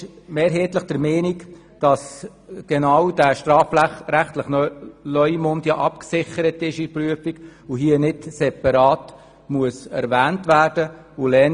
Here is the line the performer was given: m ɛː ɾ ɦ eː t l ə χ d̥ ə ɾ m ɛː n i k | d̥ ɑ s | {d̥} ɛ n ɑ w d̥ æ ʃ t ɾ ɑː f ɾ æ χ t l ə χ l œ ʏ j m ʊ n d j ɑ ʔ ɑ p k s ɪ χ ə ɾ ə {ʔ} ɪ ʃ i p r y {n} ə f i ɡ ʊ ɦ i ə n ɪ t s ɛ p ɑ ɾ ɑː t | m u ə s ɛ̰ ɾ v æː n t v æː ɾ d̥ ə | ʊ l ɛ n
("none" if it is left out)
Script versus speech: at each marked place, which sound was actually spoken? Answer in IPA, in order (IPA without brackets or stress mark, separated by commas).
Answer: ɡ̥, t, none